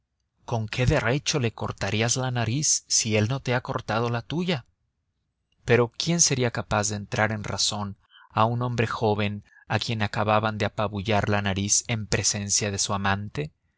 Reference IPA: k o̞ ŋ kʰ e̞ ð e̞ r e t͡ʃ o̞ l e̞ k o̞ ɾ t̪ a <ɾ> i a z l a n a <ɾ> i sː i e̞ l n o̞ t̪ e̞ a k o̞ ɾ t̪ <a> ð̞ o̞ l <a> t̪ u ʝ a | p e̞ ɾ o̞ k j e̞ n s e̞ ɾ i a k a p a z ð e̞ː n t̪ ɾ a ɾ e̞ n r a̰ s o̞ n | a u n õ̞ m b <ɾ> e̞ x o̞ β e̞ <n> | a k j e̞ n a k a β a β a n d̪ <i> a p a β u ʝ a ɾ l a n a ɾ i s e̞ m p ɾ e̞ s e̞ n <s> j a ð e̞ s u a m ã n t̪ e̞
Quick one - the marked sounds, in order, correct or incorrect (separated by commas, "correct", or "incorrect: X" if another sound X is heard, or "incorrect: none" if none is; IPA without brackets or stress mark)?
correct, correct, correct, correct, correct, correct, incorrect: e, correct